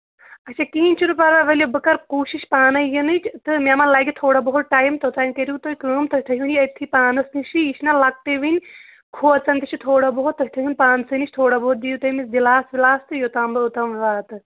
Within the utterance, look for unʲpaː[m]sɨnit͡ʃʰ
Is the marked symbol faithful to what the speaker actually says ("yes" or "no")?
no